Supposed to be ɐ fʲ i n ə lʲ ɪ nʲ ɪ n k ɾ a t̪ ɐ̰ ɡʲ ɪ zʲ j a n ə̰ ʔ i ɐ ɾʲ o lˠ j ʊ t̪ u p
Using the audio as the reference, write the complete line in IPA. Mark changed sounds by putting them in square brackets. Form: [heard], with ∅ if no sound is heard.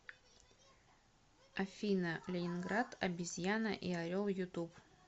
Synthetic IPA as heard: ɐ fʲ i n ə lʲ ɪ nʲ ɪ n [ɡ] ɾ a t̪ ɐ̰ [bʲ] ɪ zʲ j a n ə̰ ʔ i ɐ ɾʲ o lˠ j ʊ t̪ u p

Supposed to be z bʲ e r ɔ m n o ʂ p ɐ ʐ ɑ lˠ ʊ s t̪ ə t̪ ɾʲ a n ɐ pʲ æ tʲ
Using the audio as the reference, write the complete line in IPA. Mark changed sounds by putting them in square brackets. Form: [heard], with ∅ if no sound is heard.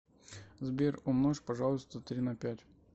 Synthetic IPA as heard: z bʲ e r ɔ m n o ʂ p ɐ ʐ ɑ lˠ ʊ s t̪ ə t̪ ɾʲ [i] n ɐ pʲ æ tʲ

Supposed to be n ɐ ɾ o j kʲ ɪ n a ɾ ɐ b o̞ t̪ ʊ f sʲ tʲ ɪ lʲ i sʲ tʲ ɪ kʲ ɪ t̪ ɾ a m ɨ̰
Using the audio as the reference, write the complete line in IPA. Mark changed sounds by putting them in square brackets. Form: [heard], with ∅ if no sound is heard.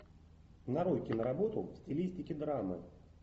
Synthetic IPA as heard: n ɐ ɾ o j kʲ ɪ n [ə] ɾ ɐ b o̞ t̪ ʊ f sʲ tʲ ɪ lʲ i sʲ tʲ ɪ kʲ ɪ [d̪] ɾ a m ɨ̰

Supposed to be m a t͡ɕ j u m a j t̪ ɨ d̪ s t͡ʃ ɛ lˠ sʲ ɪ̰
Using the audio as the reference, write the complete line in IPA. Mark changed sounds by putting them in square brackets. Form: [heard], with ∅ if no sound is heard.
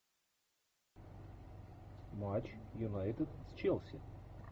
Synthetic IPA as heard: m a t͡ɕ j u [n] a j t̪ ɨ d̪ s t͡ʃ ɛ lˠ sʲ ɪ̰

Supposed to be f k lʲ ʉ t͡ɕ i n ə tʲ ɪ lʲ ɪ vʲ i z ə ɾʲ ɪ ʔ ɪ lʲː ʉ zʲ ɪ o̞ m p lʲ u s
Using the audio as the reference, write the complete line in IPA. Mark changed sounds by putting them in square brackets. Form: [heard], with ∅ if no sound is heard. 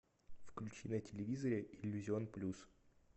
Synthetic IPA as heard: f k lʲ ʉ t͡ɕ i n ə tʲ ɪ lʲ ɪ vʲ i z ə ɾʲ ɪ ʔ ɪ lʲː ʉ zʲ ɪ o̞ [n] p lʲ u s

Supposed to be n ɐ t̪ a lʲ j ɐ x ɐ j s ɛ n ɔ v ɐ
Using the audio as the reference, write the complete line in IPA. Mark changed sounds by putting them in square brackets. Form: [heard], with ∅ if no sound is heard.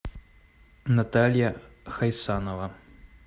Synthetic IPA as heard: n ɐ t̪ a lʲ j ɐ x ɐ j s [a] n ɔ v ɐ

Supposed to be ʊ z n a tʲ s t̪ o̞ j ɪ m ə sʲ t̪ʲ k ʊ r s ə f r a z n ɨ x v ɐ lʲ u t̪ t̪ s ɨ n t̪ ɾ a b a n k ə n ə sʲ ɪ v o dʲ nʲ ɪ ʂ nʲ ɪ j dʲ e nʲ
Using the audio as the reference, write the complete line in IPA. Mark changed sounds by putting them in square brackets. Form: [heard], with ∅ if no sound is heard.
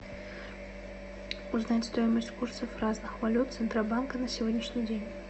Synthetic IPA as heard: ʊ z n a tʲ s t̪ o̞ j ɪ m ə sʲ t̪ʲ k [u] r s ə f r a z n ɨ x v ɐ lʲ u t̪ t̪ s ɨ n t̪ ɾ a b a n k ə n ə sʲ ɪ v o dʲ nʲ ɪ ʂ nʲ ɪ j dʲ e nʲ

